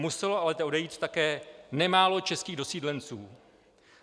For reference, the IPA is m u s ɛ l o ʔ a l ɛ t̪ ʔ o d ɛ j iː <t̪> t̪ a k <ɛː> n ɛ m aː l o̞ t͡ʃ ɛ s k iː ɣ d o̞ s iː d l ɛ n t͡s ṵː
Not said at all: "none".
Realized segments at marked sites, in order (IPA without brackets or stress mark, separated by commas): t̪, ɛː